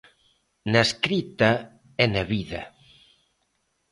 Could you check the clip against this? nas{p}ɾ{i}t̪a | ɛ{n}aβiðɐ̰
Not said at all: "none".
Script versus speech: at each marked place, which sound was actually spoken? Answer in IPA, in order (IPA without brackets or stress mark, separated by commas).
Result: k, i, n